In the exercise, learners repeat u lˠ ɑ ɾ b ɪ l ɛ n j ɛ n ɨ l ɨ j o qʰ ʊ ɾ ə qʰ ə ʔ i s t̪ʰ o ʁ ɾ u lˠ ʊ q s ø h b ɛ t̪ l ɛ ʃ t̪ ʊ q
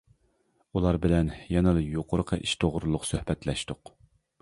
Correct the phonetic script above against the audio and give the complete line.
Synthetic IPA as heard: u lˠ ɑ ɾ b ɪ l ɛ n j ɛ n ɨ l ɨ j o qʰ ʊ ɾ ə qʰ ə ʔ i ʃ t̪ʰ o ʁ ɾ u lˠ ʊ q s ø h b ɛ t̪ l ɛ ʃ t̪ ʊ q